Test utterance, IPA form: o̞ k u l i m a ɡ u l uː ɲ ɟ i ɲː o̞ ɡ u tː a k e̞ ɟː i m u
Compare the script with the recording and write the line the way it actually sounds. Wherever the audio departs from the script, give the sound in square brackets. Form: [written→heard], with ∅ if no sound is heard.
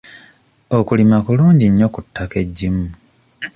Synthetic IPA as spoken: o̞ k u l i m a [ɡ→k] u l uː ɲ ɟ i ɲː o̞ [ɡ→k] u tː a k e̞ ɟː i m u

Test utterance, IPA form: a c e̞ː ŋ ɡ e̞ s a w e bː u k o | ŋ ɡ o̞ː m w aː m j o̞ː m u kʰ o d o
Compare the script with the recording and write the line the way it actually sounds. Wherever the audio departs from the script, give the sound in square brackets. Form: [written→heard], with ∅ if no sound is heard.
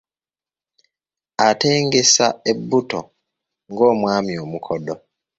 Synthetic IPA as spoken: a [c→t] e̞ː ŋ ɡ e̞ s a [w→∅] e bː u [k→t] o | ŋ ɡ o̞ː m w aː m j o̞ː m u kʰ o d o

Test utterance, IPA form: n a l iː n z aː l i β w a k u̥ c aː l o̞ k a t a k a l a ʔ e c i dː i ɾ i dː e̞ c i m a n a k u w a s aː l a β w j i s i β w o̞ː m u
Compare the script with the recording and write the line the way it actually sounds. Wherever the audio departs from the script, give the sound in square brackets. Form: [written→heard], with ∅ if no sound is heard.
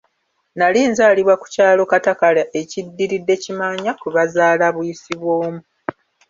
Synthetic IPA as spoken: n a l iː n z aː l i β w a k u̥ c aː l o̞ k a t a k a l a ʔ e c i dː i ɾ i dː e̞ c i m a [n→ɲ] a k u [w→β] a [s→z] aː l a β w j i s i β w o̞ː m u

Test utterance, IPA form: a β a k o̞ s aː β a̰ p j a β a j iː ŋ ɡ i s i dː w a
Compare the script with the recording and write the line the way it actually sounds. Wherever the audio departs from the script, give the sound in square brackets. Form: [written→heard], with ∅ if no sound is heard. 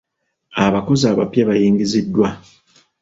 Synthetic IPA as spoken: a β a k o̞ [s→z] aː β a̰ p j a β a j iː ŋ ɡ i [s→z] i dː w a

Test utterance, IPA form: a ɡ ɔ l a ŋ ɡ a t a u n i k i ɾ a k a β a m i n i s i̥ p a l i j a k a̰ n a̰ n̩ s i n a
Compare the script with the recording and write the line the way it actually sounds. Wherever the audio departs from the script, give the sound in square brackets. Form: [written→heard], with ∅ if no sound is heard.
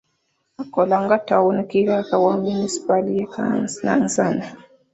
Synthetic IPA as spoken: a [ɡ→k] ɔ l a ŋ ɡ a t a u n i k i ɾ a k a [β→w] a m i n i s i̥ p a l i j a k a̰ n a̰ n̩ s [i→a] n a

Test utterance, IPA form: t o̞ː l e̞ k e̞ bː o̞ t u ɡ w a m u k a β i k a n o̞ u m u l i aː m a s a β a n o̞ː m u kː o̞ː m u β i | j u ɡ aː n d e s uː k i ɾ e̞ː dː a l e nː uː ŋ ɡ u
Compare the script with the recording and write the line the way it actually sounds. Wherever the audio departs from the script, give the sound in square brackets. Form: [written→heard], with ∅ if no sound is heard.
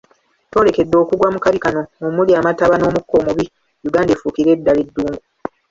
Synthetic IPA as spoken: t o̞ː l e̞ k e̞ [bː→dː] o̞ [t→k] u ɡ w a m u k a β i k a n o̞ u m u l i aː m a [s→t] a β a n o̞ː m u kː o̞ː m u β i | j u ɡ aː n d e [s→f] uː k i ɾ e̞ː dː a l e [nː→dː] uː ŋ ɡ u

